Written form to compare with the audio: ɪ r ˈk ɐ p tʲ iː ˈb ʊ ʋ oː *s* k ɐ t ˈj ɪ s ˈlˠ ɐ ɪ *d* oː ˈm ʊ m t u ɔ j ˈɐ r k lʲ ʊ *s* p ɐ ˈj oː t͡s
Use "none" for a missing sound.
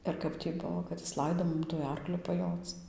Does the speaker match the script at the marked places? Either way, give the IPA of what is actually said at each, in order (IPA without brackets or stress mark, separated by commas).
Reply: none, d, none